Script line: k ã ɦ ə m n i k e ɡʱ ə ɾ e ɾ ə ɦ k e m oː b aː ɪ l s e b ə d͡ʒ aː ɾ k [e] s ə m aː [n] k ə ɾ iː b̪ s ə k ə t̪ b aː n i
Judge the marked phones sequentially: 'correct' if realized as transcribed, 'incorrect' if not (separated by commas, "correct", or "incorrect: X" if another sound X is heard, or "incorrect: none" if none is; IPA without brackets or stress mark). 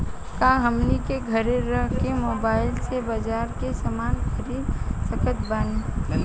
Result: correct, correct